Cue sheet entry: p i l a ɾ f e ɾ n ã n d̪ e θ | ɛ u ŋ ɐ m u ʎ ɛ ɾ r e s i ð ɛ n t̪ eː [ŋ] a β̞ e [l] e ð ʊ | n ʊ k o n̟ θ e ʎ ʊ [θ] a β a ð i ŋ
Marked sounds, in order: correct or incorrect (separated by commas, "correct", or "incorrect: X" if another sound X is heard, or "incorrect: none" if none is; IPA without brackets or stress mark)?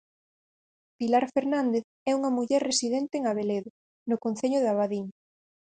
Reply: correct, correct, incorrect: ð